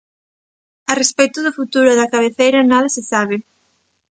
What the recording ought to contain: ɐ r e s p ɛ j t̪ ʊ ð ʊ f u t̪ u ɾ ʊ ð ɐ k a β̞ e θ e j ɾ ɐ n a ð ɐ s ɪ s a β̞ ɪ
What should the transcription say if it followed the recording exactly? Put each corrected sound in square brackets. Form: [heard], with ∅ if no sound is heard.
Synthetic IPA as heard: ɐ r e s p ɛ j t̪ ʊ ð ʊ f u t̪ u ɾ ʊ ð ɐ k a β̞ e θ e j ɾ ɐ n a ð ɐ s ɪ s a β̞ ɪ